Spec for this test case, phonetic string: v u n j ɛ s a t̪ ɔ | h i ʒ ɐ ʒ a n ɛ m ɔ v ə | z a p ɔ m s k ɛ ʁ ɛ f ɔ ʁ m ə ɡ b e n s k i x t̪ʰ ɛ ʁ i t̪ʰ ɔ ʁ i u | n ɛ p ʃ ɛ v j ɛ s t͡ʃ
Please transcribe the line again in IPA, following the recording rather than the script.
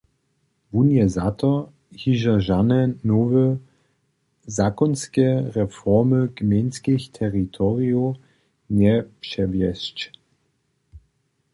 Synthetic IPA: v u n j ɛ z a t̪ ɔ | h i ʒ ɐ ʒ a n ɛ n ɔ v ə | z a k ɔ n s k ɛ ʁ ɛ f ɔ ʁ m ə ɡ m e n s k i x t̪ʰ ɛ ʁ i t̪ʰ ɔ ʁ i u | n ɛ p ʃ ɛ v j ɛ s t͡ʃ